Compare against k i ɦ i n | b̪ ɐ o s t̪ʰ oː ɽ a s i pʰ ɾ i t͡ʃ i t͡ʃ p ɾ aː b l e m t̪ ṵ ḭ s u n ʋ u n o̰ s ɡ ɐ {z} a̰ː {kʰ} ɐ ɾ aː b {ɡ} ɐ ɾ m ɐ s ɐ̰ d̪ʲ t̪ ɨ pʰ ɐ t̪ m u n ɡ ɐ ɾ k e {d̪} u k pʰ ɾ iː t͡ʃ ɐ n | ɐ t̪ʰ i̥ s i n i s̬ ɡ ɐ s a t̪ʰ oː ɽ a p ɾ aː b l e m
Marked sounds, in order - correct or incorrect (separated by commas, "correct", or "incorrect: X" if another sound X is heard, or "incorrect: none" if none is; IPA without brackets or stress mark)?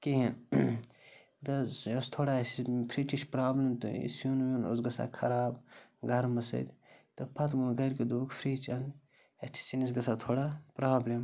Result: incorrect: s, correct, correct, correct